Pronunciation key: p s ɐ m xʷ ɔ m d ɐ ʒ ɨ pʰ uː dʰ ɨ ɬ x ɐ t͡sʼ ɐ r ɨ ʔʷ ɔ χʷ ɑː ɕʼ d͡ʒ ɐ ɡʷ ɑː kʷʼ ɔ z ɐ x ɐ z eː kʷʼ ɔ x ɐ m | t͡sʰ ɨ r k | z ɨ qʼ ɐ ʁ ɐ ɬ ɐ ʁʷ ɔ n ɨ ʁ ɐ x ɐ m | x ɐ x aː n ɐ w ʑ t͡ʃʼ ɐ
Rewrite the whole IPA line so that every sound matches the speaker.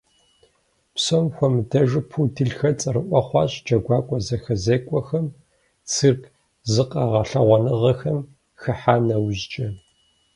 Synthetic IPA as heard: p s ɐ m xʷ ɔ m d ɐ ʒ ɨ pʰ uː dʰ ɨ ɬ x ɐ t͡sʼ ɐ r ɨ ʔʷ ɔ χʷ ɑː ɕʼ d͡ʒ ɐ ɡʷ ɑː kʷʼ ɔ z ɐ x ɐ z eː kʷʼ ɔ x ɐ m | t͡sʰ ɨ r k | z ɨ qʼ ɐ ʁ ɐ ɬ ɐ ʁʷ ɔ n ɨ ʁ ɐ x ɐ m | x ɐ ħ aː n ɐ w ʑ t͡ʃʼ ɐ